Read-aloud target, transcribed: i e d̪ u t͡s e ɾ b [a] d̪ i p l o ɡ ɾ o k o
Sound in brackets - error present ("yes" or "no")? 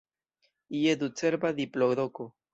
no